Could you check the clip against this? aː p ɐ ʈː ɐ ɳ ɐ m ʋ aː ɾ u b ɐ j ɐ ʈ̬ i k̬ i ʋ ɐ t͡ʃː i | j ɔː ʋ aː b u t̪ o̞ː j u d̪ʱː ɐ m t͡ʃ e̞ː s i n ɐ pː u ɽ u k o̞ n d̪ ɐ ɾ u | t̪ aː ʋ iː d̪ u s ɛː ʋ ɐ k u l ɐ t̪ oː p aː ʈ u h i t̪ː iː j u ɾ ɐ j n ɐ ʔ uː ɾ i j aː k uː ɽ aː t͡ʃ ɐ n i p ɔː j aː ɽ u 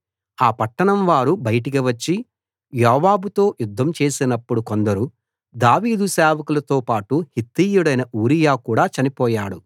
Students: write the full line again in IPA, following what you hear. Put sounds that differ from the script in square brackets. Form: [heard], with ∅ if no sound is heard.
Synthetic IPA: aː p ɐ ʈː ɐ ɳ ɐ m ʋ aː ɾ u b ɐ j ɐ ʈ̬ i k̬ i ʋ ɐ t͡ʃː i | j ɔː ʋ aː b u t̪ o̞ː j u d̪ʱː ɐ m t͡ʃ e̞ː s i n ɐ pː u ɽ u k o̞ n d̪ ɐ ɾ u | [d̪] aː ʋ iː d̪ u s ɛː ʋ ɐ k u l ɐ t̪ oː p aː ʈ u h i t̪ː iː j u [ɽ] ɐ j n ɐ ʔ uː ɾ i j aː k uː ɽ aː t͡ʃ ɐ n i p ɔː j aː ɽ u